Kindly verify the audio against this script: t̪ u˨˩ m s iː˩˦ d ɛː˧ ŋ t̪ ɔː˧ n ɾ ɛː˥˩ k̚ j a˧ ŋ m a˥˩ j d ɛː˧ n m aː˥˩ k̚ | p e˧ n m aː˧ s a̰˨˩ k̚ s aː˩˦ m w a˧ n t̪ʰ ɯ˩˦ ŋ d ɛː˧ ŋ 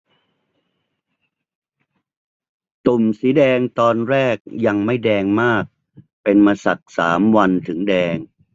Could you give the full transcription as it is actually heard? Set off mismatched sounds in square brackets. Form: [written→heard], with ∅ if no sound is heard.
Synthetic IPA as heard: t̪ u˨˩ m s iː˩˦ d ɛː˧ ŋ t̪ ɔː˧ n ɾ ɛː˥˩ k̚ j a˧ ŋ m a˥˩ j d ɛː˧ [n→ŋ] m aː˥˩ k̚ | p e˧ n m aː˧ s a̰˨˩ k̚ s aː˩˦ m w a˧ n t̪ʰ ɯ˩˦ ŋ d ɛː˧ ŋ